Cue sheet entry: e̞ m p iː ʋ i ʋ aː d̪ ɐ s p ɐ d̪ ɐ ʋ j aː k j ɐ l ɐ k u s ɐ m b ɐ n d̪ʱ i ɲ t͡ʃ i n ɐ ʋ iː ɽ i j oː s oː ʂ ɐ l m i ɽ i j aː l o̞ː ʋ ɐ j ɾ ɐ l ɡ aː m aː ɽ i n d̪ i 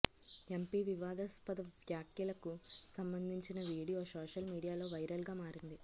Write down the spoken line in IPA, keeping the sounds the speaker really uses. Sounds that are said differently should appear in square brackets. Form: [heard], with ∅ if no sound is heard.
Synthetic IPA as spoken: e̞ m p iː ʋ i ʋ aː d̪ ɐ s p ɐ d̪ ɐ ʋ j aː k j ɐ l ɐ k u s ɐ m b ɐ n d̪ʱ i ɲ t͡ʃ i n ɐ ʋ iː ɽ i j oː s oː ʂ ɐ l m [iː] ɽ i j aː l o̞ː ʋ ɐ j ɾ ɐ l ɡ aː m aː [ɾ] i n d̪ i